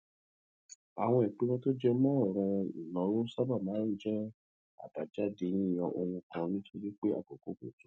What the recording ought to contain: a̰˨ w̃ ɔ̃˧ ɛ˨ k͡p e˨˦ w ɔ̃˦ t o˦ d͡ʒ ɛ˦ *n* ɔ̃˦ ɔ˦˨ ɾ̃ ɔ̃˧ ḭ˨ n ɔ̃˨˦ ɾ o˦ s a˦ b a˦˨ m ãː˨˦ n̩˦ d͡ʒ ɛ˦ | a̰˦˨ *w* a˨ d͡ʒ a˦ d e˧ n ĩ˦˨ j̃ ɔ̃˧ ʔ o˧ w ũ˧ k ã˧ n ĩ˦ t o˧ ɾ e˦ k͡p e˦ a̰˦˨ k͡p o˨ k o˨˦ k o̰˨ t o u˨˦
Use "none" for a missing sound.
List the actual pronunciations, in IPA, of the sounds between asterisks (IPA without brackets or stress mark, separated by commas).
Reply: m, b